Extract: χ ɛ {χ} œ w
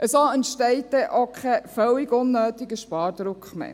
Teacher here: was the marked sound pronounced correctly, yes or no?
no